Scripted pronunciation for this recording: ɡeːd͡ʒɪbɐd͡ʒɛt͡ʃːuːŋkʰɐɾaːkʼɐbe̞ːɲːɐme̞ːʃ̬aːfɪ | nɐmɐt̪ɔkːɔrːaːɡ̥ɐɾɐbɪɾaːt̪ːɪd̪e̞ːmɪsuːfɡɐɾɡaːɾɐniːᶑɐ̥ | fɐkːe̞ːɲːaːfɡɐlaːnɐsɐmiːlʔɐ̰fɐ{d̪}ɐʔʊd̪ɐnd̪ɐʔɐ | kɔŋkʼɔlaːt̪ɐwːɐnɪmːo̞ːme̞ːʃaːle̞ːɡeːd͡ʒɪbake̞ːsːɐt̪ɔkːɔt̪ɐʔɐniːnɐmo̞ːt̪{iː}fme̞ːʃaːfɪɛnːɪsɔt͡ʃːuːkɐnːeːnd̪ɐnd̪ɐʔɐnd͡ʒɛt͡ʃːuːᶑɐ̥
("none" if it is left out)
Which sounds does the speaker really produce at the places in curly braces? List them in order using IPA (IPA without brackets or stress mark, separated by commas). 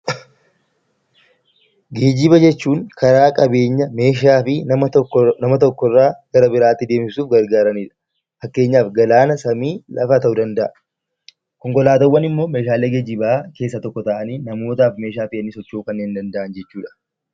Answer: t̪, aː